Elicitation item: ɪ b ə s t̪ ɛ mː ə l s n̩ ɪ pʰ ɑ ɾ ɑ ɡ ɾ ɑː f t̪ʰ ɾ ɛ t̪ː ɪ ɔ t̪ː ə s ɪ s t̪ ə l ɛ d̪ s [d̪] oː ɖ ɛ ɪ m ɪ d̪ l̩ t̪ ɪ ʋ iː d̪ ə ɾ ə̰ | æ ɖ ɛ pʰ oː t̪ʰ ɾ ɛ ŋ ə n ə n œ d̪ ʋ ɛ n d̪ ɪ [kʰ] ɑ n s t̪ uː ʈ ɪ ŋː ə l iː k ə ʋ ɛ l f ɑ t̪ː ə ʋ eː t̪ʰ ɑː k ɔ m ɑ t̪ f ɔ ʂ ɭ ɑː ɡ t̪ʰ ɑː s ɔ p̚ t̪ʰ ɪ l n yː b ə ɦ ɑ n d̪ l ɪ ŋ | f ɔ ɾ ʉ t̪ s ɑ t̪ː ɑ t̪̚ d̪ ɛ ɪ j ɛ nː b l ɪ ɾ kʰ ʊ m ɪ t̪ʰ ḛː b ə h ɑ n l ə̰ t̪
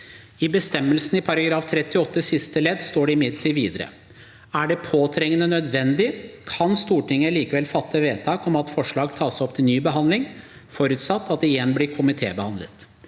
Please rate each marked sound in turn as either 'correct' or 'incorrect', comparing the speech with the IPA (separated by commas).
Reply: incorrect, correct